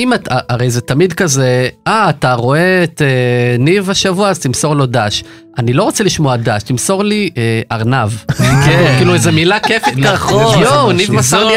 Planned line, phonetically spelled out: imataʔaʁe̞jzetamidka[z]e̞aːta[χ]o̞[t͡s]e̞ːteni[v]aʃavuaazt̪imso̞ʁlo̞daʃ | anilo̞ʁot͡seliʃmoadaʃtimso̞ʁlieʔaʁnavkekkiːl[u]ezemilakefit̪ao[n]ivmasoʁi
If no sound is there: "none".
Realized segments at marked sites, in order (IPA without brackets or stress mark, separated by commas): z, ʁ, none, v, u, n